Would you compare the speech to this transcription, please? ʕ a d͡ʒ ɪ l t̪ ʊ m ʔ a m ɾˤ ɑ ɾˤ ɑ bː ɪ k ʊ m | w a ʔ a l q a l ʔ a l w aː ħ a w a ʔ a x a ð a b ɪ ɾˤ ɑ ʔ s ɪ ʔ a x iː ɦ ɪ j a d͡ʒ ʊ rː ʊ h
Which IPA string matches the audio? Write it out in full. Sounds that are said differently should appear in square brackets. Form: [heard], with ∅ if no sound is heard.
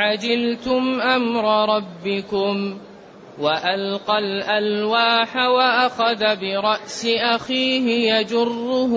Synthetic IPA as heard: ʕ a d͡ʒ ɪ l t̪ ʊ m ʔ a m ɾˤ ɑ ɾˤ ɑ bː ɪ k ʊ m | w a ʔ a l q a l ʔ a l w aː ħ a w a ʔ a x a ð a b ɪ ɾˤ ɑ ʔ s ɪ ʔ a x iː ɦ ɪ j a d͡ʒ ʊ rː ʊ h